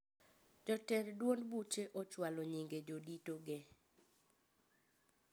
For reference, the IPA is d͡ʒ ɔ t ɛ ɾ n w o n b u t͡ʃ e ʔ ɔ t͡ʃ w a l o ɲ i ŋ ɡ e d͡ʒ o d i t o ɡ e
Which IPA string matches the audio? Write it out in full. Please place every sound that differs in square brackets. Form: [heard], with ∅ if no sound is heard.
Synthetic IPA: d͡ʒ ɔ t ɛ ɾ [d] w o n b u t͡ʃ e ʔ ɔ t͡ʃ w a l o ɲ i ŋ ɡ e d͡ʒ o d i t o ɡ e